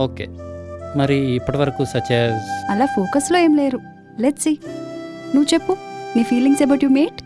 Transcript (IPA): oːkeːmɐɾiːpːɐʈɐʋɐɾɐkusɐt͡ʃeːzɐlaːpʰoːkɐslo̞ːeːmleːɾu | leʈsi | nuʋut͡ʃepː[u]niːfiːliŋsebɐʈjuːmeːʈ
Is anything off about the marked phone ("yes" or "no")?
no